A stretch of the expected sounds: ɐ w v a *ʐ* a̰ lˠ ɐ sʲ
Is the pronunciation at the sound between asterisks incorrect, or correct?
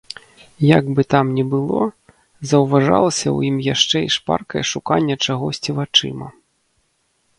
correct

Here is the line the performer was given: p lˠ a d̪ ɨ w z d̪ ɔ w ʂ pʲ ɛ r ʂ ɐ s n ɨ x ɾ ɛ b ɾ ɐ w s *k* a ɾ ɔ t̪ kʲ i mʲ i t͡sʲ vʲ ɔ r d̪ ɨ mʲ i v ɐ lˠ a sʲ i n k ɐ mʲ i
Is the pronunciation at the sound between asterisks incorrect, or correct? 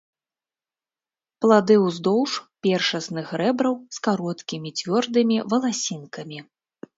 correct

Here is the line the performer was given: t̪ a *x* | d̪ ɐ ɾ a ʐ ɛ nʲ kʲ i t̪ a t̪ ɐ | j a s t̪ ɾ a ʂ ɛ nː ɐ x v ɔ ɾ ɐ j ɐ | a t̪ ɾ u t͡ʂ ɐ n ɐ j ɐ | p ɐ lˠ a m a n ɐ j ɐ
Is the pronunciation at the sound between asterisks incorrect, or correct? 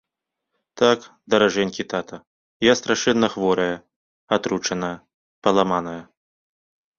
incorrect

